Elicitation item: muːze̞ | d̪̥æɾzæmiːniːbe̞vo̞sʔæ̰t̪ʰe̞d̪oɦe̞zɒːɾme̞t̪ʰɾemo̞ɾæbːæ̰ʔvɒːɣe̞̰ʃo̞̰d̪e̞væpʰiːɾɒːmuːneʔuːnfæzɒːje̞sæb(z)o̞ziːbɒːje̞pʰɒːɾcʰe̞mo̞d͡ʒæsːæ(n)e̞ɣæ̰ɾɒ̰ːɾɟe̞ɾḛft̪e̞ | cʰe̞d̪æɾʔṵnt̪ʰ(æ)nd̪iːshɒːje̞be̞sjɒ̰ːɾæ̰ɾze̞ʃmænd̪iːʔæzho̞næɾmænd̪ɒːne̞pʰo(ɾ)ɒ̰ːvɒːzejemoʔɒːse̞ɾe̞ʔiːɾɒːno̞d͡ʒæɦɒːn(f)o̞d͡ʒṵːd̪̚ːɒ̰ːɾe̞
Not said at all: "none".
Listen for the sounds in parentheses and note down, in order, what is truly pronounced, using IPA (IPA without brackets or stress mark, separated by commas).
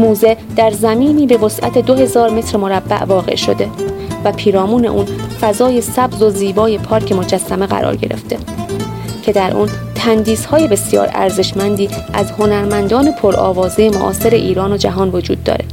z, m, æ, ɾ, v